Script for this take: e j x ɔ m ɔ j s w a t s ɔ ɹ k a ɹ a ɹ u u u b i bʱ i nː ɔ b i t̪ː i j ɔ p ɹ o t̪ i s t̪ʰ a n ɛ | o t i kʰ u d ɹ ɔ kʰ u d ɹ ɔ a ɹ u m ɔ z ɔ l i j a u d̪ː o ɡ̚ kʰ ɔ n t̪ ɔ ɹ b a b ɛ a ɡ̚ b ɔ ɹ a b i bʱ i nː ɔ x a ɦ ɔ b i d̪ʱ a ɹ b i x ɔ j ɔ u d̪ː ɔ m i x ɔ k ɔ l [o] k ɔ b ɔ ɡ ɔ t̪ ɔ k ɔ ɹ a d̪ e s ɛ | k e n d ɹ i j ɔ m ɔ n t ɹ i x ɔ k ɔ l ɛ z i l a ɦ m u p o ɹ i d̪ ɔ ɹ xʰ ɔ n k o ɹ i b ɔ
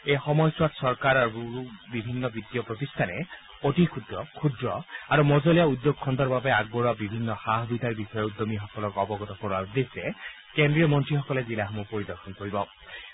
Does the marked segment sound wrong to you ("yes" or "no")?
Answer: yes